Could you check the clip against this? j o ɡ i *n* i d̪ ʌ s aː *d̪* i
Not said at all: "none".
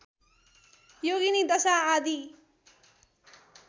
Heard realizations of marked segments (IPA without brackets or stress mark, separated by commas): n, d̪